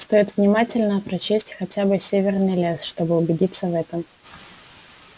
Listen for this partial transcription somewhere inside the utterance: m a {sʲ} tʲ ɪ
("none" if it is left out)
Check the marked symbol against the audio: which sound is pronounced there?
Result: none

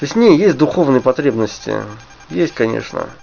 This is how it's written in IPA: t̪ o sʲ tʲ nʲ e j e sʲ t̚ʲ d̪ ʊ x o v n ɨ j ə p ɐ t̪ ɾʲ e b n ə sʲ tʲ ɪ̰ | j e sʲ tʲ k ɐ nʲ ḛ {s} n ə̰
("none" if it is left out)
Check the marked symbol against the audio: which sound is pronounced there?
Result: ʂ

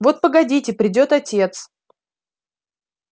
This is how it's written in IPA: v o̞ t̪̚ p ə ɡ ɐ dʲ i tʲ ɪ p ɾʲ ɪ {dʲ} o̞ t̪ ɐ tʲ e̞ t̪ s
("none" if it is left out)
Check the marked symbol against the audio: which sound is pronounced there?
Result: dʲ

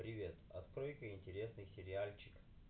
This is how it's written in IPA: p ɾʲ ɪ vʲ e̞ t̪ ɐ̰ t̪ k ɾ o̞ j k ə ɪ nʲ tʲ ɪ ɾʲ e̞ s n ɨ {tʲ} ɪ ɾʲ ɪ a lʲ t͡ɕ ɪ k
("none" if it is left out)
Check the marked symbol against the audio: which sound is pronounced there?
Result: sʲ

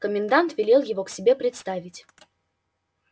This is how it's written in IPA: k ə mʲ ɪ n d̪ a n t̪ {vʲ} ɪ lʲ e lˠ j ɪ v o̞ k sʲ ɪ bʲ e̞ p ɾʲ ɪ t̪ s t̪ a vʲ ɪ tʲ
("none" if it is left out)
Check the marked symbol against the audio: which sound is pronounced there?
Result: vʲ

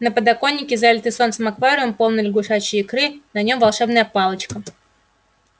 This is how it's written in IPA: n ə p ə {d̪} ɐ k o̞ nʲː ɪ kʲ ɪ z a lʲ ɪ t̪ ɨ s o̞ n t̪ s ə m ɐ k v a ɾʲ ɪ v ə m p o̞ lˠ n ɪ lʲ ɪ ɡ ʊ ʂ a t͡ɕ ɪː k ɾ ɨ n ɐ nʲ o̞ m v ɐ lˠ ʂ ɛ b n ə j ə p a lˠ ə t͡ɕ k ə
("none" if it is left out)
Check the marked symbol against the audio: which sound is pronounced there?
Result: d̪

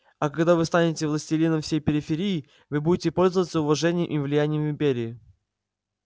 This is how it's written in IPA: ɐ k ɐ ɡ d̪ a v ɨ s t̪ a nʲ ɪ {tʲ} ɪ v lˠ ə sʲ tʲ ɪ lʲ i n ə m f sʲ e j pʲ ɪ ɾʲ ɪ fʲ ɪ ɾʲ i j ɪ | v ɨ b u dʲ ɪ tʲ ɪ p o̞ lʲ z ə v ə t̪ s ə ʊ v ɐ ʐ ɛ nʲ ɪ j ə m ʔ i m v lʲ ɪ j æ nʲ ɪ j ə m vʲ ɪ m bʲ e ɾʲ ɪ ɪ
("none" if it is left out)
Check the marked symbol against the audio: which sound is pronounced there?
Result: tʲ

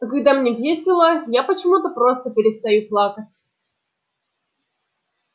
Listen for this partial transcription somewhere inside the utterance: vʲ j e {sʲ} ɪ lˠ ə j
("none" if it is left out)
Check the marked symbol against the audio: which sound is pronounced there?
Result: sʲ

